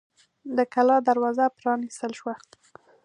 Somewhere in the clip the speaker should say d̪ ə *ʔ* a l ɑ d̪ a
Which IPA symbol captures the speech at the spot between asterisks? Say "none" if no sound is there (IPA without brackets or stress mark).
k